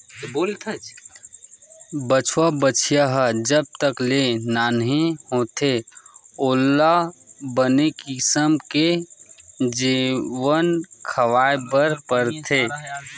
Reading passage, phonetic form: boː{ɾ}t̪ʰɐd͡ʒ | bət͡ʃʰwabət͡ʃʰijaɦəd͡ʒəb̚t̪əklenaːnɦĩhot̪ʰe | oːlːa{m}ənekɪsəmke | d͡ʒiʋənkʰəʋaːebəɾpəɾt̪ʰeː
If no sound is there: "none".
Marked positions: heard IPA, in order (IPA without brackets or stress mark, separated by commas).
l, b